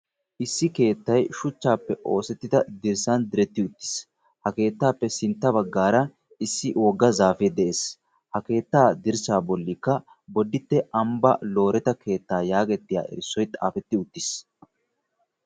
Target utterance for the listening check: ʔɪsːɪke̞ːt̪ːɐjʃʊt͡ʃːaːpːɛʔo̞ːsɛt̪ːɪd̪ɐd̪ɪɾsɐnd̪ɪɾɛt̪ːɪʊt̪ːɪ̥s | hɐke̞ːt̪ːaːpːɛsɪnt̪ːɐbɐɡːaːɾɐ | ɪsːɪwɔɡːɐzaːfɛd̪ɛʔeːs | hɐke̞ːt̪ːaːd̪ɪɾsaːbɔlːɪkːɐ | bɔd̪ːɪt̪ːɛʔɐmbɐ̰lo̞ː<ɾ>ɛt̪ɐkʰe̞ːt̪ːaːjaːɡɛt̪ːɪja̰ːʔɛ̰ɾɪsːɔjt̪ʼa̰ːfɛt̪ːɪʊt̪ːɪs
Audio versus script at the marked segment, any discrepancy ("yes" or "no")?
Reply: no